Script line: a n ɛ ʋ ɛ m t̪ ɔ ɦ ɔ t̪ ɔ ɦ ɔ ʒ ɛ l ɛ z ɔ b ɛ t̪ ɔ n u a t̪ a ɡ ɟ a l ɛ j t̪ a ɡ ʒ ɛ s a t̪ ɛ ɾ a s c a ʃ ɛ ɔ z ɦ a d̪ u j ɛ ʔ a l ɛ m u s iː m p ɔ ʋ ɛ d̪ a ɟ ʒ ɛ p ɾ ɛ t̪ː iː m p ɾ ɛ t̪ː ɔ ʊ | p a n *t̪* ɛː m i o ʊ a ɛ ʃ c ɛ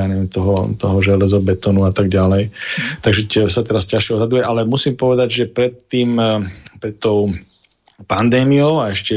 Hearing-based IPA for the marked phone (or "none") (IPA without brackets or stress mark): d̪